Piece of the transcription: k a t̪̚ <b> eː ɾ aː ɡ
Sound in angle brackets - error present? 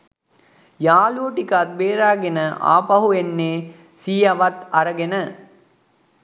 no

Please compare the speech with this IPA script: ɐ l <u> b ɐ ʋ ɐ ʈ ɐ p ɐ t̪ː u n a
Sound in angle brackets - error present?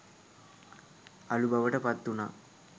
no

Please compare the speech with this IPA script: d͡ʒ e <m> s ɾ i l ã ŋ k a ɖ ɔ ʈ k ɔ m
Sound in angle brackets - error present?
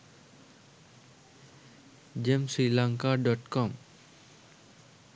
no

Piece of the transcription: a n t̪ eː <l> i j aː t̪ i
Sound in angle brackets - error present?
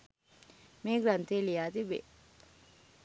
no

